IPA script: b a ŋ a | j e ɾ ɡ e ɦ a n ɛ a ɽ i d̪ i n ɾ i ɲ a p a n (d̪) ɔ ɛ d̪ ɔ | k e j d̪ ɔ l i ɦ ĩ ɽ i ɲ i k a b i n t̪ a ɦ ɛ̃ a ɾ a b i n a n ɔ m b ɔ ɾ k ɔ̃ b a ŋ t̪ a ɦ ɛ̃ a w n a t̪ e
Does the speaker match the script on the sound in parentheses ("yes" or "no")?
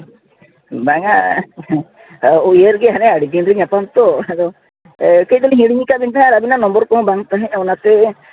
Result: no